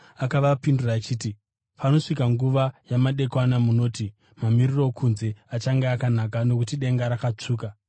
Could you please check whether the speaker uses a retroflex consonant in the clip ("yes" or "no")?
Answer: yes